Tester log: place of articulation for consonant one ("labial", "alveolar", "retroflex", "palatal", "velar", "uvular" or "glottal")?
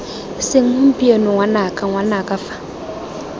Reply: alveolar